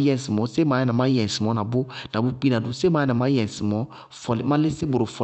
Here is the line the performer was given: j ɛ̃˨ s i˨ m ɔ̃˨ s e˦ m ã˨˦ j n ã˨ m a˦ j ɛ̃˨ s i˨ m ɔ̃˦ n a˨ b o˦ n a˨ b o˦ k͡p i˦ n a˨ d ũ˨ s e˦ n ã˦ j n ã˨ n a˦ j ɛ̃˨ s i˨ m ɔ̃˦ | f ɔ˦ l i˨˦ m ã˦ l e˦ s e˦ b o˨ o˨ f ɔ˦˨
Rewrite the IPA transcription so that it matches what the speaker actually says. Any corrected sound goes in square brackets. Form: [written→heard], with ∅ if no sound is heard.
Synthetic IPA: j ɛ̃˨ s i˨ m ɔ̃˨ s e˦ m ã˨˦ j n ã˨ m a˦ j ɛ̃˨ s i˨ m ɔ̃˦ n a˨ b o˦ n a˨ b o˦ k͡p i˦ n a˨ d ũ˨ s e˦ [n→m] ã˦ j n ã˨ [n→m] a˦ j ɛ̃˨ s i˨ m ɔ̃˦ | f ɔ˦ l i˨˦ m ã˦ l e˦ s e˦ b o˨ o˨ f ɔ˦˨